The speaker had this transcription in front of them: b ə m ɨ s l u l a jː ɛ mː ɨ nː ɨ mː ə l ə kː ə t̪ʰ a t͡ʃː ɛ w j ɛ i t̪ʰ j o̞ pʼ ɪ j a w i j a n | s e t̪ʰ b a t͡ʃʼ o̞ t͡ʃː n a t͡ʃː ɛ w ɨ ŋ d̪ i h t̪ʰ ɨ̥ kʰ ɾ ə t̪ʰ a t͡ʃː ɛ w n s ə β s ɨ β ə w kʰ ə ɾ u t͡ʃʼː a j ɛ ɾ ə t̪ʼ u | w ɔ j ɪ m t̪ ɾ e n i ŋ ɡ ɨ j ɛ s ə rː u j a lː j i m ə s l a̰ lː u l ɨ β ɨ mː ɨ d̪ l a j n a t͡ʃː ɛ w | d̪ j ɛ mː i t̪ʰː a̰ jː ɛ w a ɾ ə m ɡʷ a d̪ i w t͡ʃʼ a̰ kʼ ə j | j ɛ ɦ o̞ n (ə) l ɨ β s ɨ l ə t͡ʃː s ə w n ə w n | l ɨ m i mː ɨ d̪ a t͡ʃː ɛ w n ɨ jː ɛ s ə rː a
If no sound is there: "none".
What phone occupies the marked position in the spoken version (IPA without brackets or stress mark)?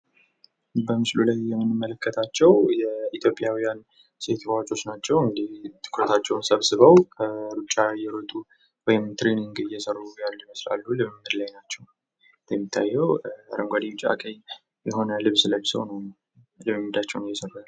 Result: ə